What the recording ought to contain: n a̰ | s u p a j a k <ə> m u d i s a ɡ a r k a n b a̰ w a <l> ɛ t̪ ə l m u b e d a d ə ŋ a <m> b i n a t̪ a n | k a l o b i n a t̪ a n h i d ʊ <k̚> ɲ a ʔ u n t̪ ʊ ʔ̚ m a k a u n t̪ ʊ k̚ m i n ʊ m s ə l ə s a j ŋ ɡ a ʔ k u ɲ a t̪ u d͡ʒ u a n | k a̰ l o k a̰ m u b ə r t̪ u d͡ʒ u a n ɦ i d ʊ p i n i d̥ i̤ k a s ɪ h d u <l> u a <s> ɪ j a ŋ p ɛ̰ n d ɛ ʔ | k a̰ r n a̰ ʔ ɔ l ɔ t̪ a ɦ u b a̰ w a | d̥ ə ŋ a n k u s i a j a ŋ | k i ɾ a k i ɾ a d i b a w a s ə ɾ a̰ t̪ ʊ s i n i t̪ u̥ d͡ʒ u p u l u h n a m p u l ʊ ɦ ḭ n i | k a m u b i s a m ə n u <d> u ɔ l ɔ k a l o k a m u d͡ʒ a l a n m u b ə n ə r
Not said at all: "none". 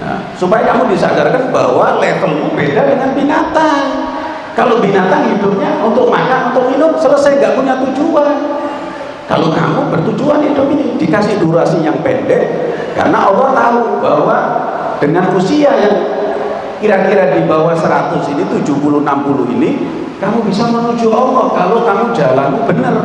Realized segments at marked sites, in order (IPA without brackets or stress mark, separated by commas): a, l, n, p̚, ɾ, s, d͡ʒ